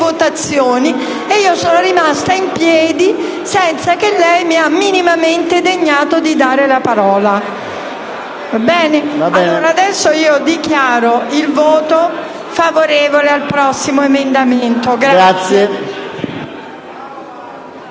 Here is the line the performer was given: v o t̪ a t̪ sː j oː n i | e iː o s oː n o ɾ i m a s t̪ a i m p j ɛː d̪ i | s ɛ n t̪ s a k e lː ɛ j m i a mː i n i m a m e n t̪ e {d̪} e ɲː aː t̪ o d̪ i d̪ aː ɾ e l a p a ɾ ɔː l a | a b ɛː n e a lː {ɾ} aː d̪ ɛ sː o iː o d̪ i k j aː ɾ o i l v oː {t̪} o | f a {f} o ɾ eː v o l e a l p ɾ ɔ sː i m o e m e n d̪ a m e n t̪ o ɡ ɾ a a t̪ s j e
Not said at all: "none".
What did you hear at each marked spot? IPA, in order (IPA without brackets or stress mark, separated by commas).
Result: d̪, ɾ, t̪, v